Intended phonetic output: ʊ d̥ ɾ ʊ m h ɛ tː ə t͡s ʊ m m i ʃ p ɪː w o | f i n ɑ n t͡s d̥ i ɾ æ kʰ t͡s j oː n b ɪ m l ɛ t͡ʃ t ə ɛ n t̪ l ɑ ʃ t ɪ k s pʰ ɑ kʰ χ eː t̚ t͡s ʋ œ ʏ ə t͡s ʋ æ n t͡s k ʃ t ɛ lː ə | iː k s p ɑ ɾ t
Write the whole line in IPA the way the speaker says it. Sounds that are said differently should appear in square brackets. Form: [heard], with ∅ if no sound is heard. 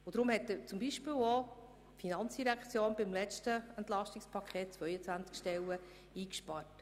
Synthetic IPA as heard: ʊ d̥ ɾ ʊ m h ɛ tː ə t͡s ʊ m [b] i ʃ p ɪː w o | f i n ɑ n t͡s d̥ i ɾ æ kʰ t͡s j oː n b ɪ m l ɛ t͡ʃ t ə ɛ n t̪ l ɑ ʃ t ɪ k s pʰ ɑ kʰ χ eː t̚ t͡s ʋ œ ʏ ə t͡s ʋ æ n t͡s k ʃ t ɛ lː ə | iː k [ʃ] p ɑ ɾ t